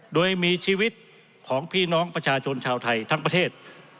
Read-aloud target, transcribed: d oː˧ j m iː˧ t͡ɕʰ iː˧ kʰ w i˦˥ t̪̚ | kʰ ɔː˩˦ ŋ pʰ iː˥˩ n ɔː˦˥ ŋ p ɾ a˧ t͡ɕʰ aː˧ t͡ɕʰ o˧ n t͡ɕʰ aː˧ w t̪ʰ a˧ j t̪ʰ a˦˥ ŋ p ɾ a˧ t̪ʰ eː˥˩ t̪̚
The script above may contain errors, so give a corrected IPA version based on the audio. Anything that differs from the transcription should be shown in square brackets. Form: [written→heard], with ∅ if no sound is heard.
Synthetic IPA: d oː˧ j m iː˧ t͡ɕʰ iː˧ [kʰ→∅] w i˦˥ t̪̚ | kʰ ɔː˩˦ ŋ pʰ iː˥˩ n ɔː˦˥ ŋ p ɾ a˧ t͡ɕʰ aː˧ t͡ɕʰ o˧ n t͡ɕʰ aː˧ w t̪ʰ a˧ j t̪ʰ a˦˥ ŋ p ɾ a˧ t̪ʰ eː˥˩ t̪̚